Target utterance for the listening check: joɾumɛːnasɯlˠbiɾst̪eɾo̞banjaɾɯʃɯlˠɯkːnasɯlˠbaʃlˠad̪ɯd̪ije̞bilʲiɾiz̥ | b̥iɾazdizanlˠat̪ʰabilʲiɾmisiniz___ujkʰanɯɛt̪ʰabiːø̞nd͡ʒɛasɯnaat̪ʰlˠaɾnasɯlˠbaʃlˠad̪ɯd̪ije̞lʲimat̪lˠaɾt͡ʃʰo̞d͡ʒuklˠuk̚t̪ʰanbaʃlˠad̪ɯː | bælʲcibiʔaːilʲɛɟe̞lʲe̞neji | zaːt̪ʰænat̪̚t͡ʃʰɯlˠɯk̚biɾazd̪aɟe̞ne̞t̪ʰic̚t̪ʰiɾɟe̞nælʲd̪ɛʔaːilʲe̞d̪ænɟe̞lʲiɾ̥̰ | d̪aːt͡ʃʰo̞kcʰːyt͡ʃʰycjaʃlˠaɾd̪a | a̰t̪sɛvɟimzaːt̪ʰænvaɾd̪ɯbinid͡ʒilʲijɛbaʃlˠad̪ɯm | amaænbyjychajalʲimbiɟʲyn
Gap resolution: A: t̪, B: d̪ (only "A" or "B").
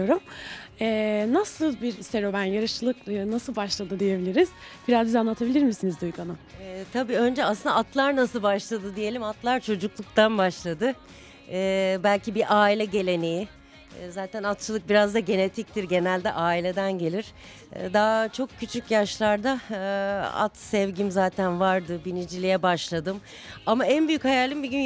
B